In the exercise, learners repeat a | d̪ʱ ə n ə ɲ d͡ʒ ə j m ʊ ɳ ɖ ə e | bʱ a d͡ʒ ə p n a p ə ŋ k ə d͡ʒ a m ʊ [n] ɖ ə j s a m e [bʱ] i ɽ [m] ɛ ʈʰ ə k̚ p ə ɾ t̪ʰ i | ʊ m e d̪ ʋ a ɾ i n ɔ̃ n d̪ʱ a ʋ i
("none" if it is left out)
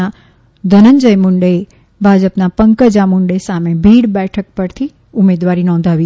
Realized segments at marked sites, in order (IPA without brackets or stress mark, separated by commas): ɳ, bʱ, b